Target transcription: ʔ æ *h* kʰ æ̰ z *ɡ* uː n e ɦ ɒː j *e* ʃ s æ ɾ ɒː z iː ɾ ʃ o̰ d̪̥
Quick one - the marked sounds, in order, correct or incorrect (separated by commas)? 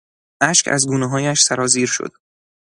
incorrect, correct, incorrect